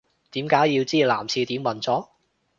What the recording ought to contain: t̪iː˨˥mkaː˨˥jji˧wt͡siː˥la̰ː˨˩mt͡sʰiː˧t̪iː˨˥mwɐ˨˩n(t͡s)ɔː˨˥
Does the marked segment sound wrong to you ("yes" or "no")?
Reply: no